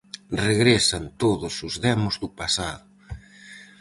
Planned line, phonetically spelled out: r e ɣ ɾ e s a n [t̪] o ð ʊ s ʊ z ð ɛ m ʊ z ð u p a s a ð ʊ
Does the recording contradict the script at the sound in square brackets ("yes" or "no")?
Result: no